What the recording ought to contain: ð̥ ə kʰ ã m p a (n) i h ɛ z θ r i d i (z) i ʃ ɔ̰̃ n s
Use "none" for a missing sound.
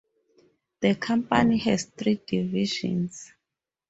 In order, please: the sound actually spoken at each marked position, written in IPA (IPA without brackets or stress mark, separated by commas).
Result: n, v